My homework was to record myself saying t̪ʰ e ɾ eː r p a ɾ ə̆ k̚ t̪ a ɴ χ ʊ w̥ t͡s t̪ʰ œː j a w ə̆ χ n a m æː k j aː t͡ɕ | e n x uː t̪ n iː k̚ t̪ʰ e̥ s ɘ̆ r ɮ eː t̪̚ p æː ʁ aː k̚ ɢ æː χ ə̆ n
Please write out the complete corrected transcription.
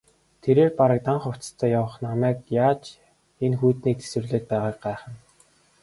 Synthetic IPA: t̪ʰ e ɾ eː r p a ɾ ə̆ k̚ t̪ a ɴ χ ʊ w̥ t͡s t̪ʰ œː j a w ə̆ χ n a m æː k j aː t͡ɕ | e n x uː t̪ n iː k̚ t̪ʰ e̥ s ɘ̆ r ɮ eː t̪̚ p æː ʁ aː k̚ ɢ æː χ ə̆ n